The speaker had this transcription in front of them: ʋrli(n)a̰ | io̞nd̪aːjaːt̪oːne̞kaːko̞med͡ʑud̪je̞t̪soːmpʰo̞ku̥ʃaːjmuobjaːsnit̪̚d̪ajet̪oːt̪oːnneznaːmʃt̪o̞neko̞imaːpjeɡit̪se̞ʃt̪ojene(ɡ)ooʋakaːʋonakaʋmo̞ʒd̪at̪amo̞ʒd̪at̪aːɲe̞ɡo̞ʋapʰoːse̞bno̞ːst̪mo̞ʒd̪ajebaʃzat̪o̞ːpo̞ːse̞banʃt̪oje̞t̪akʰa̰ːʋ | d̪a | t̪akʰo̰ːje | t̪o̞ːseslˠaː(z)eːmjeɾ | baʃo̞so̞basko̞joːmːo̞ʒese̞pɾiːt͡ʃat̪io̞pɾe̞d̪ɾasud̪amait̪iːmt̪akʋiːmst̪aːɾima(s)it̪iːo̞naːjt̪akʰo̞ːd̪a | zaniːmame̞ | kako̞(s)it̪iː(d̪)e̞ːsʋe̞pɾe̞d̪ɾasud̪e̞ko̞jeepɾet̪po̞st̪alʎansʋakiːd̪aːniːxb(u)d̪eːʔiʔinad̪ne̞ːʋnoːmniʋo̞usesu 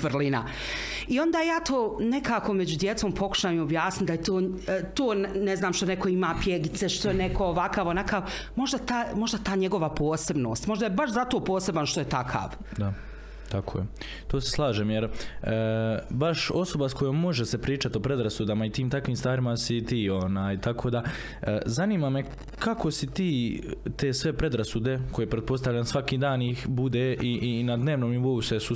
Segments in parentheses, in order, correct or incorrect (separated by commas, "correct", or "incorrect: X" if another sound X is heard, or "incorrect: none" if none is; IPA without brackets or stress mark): correct, incorrect: k, incorrect: ʒ, correct, correct, incorrect: t̪, correct